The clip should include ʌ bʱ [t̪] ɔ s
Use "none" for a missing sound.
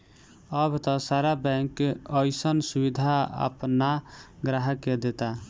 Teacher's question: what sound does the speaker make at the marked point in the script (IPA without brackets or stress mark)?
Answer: t̪